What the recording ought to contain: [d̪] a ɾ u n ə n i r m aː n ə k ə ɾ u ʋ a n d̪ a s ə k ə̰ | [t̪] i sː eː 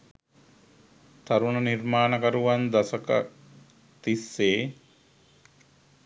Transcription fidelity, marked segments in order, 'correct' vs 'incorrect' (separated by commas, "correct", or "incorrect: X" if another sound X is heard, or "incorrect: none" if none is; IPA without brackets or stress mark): incorrect: t̪, correct